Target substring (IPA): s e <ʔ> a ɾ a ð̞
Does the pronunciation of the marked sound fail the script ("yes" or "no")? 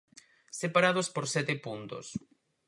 yes